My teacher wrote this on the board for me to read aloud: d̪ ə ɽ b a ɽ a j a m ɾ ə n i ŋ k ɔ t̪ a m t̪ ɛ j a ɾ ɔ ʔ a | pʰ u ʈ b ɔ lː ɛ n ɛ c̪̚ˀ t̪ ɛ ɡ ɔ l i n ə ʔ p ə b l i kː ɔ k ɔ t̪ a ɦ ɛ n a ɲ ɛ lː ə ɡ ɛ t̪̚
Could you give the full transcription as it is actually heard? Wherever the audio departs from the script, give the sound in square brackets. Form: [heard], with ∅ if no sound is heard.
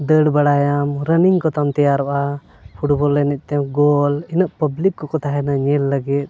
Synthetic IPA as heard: d̪ ə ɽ b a ɽ a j a m ɾ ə n i ŋ k ɔ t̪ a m t̪ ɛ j a ɾ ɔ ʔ a | pʰ u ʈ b ɔ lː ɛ n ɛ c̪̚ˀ t̪ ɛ ɡ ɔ l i n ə ʔ p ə b l i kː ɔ k ɔ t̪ a ɦ ɛ n a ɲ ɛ lː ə ɡ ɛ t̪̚